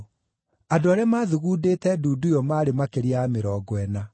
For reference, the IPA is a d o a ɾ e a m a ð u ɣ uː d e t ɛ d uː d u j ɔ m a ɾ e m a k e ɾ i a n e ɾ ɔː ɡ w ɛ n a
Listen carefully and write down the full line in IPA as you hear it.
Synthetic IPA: a d o a ɾ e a m a ð u ɣ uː d e t ɛ d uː d u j ɔ m a ɾ e m a k e ɾ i a m e ɾ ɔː ɡ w ɛ n a